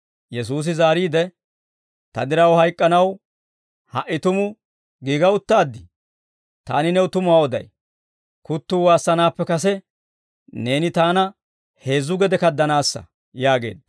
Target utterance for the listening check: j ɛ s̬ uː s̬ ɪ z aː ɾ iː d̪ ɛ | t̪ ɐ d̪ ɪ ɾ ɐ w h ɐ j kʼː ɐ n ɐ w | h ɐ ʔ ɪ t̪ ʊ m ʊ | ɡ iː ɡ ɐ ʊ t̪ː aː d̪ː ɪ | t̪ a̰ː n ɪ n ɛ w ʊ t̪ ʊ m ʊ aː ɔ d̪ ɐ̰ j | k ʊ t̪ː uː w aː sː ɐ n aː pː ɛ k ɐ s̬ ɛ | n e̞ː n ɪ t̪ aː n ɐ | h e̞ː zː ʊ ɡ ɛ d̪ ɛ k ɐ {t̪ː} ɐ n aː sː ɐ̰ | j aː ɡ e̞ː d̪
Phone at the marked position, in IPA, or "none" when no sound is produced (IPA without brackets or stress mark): d̪ː